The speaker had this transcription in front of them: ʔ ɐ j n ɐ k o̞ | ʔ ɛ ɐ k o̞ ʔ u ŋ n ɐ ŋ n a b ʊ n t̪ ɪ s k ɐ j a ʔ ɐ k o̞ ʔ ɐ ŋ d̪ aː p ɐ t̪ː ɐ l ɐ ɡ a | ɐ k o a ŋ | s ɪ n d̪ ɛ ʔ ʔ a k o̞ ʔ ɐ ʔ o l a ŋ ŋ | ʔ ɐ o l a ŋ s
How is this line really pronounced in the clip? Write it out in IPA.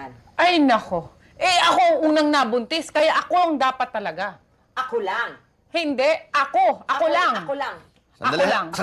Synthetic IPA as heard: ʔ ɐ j n ɐ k o̞ | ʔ ɛ ɐ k o̞ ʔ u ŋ n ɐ ŋ n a b ʊ n t̪ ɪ s k ɐ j a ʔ ɐ k o̞ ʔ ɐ ŋ d̪ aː p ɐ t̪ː ɐ l ɐ ɡ a | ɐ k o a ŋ | h ɪ n d̪ ɛ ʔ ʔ ɐ k o̞ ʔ ɐ k o l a ŋ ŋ | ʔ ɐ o l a ŋ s